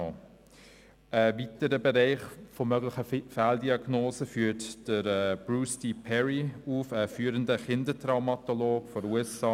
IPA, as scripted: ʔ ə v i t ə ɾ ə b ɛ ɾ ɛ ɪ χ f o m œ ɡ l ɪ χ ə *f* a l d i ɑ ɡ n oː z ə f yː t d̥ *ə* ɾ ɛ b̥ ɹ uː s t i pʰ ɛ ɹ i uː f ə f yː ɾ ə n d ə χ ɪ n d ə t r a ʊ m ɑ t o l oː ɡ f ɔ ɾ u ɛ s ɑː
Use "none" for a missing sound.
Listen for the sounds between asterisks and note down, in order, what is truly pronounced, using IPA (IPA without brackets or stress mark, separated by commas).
f, ə